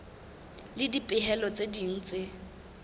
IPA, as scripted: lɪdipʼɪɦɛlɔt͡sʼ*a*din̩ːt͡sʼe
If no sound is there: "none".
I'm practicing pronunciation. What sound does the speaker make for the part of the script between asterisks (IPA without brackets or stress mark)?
e